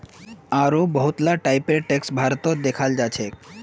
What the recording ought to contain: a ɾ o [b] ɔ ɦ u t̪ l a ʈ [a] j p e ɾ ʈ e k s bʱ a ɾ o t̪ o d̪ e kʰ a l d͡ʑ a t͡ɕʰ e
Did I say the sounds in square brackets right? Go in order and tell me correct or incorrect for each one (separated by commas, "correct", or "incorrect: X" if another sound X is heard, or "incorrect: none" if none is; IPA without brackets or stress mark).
correct, correct